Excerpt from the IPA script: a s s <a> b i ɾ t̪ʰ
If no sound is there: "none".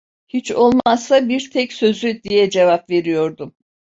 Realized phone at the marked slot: a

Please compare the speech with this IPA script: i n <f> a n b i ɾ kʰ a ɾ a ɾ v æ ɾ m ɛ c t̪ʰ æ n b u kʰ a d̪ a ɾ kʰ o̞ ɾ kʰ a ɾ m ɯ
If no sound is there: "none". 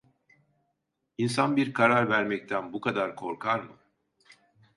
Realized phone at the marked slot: s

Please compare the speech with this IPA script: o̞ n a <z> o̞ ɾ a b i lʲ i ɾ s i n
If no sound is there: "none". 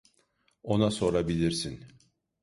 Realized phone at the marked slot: s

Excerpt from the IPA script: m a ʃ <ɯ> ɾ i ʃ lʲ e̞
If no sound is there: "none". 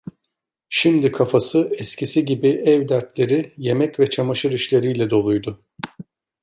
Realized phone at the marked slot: ɯ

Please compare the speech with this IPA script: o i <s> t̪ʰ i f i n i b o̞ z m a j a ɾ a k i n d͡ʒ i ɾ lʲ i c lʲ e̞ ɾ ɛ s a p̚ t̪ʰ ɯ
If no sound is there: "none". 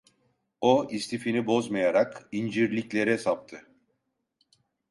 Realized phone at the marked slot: s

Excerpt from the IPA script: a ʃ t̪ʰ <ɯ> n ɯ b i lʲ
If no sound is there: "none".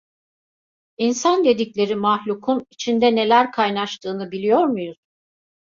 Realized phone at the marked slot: ɯː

